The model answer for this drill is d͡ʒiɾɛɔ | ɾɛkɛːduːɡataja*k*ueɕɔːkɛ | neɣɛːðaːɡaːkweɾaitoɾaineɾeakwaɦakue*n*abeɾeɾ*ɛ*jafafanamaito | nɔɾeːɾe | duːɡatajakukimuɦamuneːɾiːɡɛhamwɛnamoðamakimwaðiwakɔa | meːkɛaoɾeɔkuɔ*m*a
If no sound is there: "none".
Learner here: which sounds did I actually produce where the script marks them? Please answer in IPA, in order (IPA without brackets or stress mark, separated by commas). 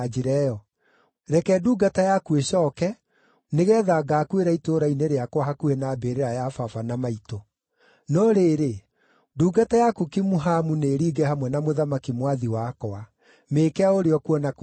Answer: k, n, a, n